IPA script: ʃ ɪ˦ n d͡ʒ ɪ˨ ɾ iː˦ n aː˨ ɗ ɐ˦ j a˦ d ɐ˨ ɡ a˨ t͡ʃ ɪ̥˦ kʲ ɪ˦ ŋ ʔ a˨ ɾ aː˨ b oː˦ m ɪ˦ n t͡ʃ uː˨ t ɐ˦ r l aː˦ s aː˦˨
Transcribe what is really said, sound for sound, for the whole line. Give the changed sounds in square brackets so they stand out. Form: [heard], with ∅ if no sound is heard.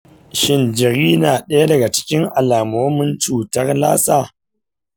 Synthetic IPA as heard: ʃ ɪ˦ n d͡ʒ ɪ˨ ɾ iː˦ n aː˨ ɗ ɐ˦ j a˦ d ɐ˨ ɡ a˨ t͡ʃ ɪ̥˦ kʲ ɪ˦ ŋ ʔ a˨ [l] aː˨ [m] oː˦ m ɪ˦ n t͡ʃ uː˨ t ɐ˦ r l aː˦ s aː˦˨